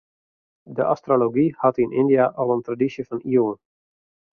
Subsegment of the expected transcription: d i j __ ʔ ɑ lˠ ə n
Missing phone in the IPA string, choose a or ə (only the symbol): a